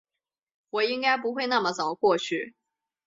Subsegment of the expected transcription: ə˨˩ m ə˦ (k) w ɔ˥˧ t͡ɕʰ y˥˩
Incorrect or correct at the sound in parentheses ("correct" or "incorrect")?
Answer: correct